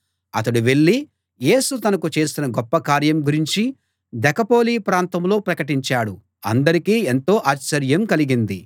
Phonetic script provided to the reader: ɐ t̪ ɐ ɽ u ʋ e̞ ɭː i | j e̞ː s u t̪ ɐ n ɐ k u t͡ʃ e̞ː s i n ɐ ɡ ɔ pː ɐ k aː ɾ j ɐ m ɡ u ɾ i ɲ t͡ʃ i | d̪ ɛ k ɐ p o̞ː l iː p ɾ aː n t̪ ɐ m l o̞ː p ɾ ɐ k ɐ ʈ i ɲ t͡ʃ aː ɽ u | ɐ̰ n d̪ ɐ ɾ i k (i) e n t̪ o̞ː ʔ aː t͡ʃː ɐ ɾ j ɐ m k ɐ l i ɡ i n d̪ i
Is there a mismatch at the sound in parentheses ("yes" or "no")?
yes